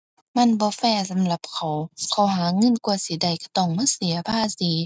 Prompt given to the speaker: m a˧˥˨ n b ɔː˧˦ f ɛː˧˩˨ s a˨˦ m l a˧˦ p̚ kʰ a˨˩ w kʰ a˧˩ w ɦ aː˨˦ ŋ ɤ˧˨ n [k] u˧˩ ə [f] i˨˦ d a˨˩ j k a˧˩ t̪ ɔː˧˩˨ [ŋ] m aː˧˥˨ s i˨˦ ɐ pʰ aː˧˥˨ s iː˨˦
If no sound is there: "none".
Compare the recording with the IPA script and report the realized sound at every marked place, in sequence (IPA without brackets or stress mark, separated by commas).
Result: k, s, ŋ